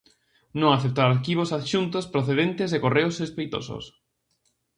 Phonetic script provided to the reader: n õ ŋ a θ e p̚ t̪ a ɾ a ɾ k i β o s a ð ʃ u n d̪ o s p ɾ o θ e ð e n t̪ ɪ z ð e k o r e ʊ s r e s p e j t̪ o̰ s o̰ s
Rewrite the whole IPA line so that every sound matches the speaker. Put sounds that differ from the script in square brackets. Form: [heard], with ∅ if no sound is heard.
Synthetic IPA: n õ ŋ a θ e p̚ t̪ a ɾ a ɾ k i β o s a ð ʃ u n [t̪] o s p ɾ o θ e ð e n t̪ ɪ z ð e k o r e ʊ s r e s p e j t̪ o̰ s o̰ s

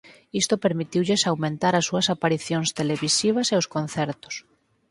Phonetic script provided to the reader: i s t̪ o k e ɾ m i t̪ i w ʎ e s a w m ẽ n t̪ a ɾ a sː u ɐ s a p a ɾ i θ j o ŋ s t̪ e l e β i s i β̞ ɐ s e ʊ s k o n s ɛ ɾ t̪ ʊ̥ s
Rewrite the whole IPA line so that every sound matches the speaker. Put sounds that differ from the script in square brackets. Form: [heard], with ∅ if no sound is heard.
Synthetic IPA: i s t̪ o [p] e ɾ m i t̪ i w ʎ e s a w m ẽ n t̪ a ɾ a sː u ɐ s a p a ɾ i θ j o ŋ s t̪ e l e β i s i β̞ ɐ s e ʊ s k o n [θ] ɛ ɾ t̪ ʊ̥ s

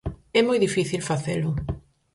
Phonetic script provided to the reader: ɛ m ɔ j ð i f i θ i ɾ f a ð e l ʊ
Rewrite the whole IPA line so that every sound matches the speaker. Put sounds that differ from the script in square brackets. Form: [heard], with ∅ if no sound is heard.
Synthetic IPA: ɛ m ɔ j ð i f i θ i [l] f a [θ] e l ʊ

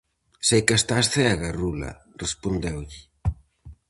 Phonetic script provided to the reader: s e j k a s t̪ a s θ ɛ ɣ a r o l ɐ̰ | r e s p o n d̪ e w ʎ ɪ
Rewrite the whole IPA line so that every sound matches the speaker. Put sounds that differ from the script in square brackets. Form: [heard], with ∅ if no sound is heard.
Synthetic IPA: s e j k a s t̪ a s θ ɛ ɣ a r [u] l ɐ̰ | r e s p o n d̪ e w ʎ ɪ

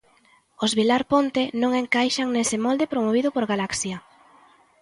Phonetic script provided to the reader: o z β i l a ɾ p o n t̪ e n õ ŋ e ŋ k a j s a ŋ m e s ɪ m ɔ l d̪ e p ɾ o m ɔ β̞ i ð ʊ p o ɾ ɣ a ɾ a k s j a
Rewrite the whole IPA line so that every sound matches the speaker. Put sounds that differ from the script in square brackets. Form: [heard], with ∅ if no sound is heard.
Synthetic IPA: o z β i l a ɾ p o n t̪ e n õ ŋ e ŋ k a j [ʃ] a ŋ [n] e s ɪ m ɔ l d̪ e p ɾ o m [o] β̞ i ð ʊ p o ɾ ɣ a [l] a k s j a

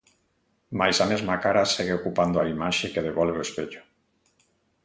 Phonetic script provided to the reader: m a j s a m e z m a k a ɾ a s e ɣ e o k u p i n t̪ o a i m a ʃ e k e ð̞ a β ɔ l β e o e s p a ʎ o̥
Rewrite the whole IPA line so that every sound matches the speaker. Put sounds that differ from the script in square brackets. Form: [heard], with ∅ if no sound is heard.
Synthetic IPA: m a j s a m e z m a k a ɾ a s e ɣ e o k u p [a] n [d̪] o a i m a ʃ e k e ð̞ [e] β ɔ l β e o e s p [e] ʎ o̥

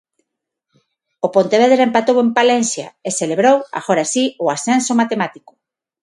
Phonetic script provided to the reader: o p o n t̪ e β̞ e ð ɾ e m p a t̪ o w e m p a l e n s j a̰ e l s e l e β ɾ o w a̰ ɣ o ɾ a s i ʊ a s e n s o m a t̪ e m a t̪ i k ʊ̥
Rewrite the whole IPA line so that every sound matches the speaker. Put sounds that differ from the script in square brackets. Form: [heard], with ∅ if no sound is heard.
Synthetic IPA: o p o n t̪ e β̞ e ð ɾ e m p a t̪ o w e m p a l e n s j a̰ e [∅] s e l e β ɾ o w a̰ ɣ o ɾ a s i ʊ a s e n s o m a t̪ e m a t̪ i k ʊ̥

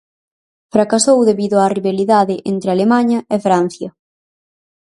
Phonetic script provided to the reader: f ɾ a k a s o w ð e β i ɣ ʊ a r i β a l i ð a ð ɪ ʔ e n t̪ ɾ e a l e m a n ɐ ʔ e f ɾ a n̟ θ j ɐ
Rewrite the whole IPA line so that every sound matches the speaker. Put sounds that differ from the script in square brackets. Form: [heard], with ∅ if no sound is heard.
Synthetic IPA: f ɾ a k a s o w ð e β i [ð] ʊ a r i β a l i ð a ð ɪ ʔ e n t̪ ɾ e a l e m a [ɲ] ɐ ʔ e f ɾ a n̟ θ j ɐ

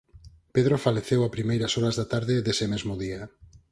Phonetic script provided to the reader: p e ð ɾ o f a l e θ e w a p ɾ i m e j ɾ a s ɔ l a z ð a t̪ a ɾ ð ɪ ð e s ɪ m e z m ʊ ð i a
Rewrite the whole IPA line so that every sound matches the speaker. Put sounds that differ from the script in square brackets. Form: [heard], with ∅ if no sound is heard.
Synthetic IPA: p e ð ɾ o f a l e θ e w a p ɾ i m e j ɾ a s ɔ [ɾ] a z ð a t̪ a ɾ ð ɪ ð e s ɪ m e z m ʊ ð i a

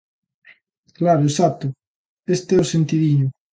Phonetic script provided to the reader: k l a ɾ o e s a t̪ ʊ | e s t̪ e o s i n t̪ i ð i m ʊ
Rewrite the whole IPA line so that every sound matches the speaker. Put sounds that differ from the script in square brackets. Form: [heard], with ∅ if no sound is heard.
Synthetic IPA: k l a ɾ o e s a t̪ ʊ | e s t̪ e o s [e] n t̪ i ð i [ɲ] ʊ

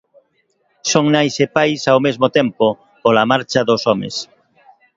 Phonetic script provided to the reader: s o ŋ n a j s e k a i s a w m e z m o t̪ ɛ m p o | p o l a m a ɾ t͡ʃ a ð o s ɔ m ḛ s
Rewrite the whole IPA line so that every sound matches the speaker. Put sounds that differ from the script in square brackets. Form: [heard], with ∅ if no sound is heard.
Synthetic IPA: s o ŋ n a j s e [p] a [j] s a w m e z m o t̪ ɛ m p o | p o l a m a ɾ t͡ʃ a ð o s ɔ m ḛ s

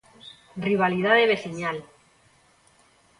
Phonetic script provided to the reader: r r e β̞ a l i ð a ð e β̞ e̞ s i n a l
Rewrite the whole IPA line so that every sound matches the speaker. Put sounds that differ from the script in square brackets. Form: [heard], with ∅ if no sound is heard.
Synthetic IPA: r r [i] β̞ a l i ð a ð e β̞ e̞ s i [ɲ] a l

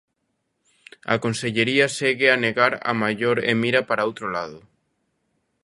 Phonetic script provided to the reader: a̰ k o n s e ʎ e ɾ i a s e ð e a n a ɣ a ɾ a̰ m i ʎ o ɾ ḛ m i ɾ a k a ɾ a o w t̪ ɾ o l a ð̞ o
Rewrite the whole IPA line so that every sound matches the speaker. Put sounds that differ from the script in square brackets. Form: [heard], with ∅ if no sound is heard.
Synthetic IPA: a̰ k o n s e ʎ e ɾ i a s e [ɣ] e a n [e] ɣ a ɾ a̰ m [a] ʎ o ɾ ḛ m i ɾ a [p] a ɾ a o w t̪ ɾ o l a ð̞ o

